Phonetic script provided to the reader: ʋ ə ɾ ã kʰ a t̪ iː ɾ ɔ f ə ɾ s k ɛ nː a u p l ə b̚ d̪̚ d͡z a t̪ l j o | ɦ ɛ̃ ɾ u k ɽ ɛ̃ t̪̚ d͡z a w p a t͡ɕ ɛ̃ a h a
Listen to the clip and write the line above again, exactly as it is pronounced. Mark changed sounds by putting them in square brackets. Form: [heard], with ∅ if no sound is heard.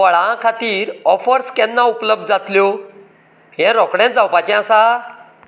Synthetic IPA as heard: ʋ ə [ɭ] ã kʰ a t̪ iː ɾ ɔ f ə ɾ s k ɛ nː a u p l ə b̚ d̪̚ d͡z a t̪ l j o | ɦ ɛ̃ ɾ [ɔ] k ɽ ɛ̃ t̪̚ d͡z a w p a t͡ɕ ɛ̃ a [s] a